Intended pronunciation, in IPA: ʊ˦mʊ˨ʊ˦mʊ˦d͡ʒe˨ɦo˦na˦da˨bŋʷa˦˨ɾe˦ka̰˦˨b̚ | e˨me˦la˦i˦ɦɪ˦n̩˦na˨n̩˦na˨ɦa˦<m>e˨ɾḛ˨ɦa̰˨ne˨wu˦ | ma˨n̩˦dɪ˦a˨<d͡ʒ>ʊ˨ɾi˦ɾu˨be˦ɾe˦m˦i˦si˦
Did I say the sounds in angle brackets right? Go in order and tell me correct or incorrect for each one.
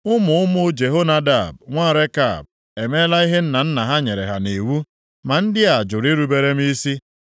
incorrect, correct

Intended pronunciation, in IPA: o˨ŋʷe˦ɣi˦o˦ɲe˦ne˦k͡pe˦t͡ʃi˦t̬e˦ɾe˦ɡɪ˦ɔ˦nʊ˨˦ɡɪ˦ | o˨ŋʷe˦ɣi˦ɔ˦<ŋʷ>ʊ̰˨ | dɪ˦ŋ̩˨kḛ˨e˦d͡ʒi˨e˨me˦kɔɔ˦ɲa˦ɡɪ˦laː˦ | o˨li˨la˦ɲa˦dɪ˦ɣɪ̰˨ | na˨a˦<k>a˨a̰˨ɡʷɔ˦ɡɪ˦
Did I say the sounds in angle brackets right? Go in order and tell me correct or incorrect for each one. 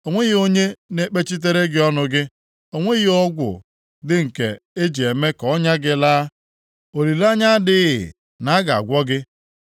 incorrect, incorrect

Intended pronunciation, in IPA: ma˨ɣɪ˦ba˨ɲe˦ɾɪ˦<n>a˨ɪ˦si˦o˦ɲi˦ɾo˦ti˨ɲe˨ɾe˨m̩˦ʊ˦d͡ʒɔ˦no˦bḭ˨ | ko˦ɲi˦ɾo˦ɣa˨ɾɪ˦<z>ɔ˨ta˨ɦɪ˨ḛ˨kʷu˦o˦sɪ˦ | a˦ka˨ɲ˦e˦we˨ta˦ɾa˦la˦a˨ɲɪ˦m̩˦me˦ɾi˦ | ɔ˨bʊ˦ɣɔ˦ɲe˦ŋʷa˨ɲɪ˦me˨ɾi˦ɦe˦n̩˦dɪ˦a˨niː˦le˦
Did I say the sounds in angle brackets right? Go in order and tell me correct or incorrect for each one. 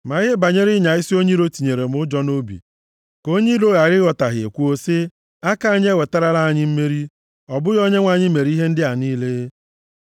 incorrect, incorrect

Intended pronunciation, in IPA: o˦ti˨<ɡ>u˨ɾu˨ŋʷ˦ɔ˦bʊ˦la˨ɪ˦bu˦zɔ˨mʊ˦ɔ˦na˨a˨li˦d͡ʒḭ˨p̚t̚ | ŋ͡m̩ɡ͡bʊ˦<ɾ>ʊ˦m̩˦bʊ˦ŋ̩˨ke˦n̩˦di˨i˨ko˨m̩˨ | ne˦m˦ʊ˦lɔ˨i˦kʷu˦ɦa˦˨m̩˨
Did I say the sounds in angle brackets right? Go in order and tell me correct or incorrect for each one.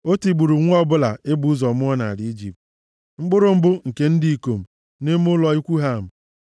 incorrect, correct

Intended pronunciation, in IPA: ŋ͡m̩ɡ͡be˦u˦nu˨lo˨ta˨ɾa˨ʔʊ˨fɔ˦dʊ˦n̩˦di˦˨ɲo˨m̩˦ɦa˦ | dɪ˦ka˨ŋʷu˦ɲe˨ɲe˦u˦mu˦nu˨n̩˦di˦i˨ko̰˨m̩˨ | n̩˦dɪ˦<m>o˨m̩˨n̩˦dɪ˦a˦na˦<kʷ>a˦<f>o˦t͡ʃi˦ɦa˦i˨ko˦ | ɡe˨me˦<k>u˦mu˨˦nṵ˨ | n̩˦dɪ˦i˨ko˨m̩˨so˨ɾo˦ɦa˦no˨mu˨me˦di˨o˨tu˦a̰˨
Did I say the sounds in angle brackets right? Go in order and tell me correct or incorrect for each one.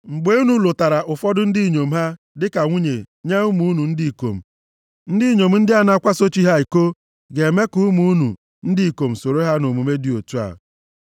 incorrect, correct, incorrect, correct

